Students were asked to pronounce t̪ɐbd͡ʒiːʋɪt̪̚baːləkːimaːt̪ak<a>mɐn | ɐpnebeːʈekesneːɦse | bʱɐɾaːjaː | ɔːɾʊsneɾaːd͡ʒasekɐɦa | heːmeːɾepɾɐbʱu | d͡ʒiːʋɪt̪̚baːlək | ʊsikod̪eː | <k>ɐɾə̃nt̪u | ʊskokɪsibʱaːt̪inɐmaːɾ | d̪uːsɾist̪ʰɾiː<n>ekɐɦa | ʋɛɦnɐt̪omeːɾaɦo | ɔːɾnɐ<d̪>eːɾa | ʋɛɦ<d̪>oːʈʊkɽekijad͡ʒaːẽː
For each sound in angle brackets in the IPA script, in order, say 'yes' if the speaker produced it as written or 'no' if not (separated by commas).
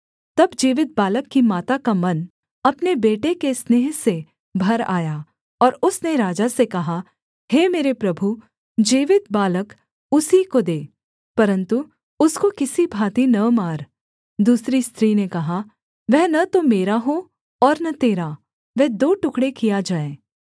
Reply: yes, no, yes, no, yes